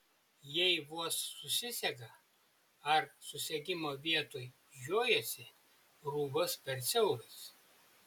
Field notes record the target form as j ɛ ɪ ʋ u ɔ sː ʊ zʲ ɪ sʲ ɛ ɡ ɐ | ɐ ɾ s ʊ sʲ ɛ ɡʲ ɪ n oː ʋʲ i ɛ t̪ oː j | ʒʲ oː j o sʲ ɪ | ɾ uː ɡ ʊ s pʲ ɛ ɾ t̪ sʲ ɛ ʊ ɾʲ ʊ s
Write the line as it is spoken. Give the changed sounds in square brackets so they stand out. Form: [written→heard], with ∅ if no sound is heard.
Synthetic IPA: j ɛ ɪ ʋ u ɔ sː ʊ [zʲ→sʲ] ɪ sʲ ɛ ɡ ɐ | ɐ ɾ s ʊ sʲ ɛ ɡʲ ɪ [n→m] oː ʋʲ i ɛ t̪ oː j | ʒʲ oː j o sʲ ɪ | ɾ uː ɡ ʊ s pʲ ɛ ɾ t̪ sʲ ɛ ʊ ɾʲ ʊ s